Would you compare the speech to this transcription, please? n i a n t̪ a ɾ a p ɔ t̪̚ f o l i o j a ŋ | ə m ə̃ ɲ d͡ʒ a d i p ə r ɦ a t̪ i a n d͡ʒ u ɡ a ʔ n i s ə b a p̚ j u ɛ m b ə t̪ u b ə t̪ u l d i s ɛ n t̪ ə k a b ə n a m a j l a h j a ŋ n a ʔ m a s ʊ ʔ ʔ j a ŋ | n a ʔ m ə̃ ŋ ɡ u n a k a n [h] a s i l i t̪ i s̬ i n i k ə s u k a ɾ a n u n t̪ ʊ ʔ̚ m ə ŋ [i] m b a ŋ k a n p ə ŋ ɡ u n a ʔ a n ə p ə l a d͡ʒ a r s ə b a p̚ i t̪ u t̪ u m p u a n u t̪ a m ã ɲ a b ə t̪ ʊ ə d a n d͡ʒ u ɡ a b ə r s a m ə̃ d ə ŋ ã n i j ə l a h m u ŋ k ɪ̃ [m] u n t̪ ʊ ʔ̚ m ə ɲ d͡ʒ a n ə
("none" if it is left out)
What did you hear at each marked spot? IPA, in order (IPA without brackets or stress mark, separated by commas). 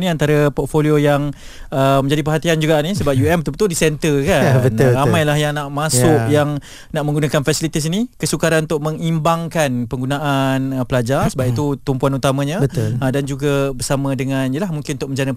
f, i, n